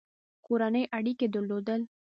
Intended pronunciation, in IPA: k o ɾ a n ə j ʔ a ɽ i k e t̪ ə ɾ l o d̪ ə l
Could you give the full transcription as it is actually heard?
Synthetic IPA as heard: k o ɾ a n ə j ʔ a ɽ i k e d̪ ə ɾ l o d̪ ə l